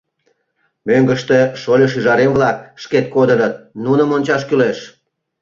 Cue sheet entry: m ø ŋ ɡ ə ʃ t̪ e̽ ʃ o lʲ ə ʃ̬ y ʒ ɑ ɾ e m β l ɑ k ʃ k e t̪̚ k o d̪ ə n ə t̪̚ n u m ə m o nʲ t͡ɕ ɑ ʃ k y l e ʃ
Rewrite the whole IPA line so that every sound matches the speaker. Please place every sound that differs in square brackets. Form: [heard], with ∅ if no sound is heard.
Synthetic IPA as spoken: m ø ŋ ɡ ə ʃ t̪ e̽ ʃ o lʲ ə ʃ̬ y ʒ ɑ ɾ e m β l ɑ k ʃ k e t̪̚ k o d̪ ə n ə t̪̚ n u [n] ə m o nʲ t͡ɕ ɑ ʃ k y l e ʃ